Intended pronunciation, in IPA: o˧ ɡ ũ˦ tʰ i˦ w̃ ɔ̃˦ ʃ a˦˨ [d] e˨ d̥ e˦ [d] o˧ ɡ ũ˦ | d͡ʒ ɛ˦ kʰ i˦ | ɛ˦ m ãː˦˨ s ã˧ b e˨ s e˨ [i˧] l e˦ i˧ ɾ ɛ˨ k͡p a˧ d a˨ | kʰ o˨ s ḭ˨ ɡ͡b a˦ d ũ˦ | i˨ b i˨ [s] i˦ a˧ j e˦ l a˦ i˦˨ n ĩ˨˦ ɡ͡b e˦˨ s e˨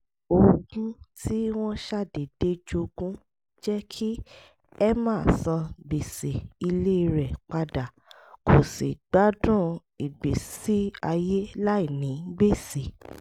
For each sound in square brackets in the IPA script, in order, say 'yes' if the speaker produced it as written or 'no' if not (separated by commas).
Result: yes, no, yes, yes